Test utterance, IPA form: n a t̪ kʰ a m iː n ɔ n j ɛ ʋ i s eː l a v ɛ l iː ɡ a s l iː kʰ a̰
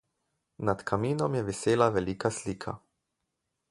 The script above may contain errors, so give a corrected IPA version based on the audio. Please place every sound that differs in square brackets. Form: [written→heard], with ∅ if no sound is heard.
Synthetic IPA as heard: n a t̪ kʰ a m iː n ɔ [n→m] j ɛ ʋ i s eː l a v ɛ l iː [ɡ→k] a s l iː kʰ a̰